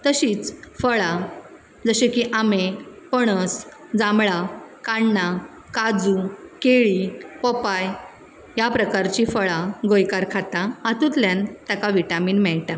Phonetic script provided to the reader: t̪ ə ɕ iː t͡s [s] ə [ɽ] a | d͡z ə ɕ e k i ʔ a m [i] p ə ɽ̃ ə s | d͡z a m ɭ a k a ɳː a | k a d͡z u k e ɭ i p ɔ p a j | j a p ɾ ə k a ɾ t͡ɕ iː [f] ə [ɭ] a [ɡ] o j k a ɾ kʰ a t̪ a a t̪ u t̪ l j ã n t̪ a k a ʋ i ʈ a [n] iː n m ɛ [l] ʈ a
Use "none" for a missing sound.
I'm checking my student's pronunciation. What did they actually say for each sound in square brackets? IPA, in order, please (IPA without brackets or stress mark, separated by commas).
f, ɭ, e, f, ɭ, ɡ, m, ɭ